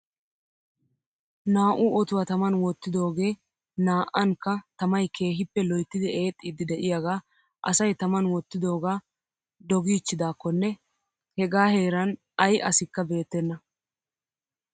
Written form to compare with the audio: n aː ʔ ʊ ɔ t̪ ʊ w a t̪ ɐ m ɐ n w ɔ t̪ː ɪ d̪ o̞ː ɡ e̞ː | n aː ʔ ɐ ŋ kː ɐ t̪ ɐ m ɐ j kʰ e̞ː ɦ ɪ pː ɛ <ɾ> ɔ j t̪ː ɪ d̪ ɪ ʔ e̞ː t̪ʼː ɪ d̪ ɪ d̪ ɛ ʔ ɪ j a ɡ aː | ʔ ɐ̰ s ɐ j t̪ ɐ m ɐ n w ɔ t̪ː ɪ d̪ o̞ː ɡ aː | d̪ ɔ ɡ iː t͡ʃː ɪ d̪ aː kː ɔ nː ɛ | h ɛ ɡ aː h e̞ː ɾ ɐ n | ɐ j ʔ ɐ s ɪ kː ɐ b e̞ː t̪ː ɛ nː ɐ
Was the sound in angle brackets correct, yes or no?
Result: no